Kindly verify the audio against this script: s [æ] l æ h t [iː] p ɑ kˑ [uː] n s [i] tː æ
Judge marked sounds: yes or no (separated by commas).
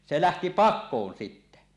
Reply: no, no, no, yes